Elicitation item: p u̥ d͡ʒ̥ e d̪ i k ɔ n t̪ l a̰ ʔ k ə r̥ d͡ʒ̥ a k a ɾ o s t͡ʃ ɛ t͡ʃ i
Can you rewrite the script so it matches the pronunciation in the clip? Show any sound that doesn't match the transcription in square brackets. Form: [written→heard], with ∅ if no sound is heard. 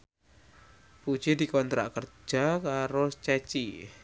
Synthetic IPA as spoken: p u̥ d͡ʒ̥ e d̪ i k ɔ n t̪ [l→ɾ] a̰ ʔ k ə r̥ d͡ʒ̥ a k a ɾ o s t͡ʃ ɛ t͡ʃ i